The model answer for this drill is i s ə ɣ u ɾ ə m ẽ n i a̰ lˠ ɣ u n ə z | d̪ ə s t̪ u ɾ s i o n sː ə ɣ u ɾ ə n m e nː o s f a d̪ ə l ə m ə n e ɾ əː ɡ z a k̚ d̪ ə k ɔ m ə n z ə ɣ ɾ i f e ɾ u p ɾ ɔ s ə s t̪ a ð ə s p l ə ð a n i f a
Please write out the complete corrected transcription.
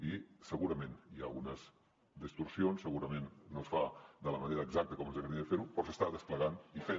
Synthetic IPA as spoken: i s ə ɣ u ɾ ə m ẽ n i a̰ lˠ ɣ u n ə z | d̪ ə s t̪ u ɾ s i o n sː ə ɣ u ɾ ə m e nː o s f a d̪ ə l ə m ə n e ɾ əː ɡ z a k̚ t̪ ə k ɔ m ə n z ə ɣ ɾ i f e ɾ u p ɾ ɔ s ə s t̪ a ð ə s p l ə ɣ a n i f e